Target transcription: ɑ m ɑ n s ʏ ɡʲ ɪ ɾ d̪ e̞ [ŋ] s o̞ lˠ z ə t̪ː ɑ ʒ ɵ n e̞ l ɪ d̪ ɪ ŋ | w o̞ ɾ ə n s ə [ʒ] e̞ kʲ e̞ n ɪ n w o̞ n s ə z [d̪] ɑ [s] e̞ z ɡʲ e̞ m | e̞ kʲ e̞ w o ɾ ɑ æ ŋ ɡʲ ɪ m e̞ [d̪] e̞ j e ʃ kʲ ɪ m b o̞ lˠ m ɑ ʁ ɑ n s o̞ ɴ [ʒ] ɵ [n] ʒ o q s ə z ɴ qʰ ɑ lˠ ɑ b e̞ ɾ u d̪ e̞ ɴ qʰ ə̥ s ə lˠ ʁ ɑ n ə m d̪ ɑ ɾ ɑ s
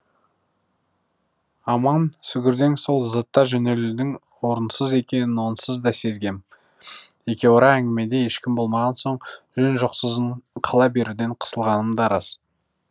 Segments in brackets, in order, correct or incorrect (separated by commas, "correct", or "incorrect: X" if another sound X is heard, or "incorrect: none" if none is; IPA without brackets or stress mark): correct, incorrect: z, correct, correct, correct, correct, correct